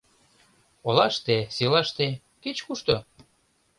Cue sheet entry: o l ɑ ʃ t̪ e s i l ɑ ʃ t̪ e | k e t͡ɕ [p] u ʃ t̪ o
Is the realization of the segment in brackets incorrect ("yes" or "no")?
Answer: yes